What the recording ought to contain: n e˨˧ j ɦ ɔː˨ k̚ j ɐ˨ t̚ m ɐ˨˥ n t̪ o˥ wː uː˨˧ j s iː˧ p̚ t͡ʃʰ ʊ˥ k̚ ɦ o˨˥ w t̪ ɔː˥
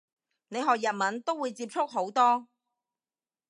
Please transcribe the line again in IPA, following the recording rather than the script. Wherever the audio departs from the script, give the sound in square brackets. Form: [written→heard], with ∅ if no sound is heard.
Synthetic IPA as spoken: n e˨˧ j ɦ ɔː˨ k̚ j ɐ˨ t̚ m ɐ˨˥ n t̪ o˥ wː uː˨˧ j [s→t͡s] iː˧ p̚ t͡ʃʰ ʊ˥ k̚ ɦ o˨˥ w t̪ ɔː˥